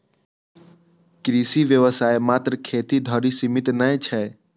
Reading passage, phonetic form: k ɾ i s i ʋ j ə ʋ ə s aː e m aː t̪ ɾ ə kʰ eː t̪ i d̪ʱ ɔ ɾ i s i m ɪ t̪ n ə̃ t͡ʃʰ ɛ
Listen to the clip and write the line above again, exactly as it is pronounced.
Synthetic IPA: k ɾ i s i ʋ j ə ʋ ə s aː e m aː t̪ ɾ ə kʰ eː t̪ i d̪ʱ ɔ ɾ i s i m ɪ t̪ n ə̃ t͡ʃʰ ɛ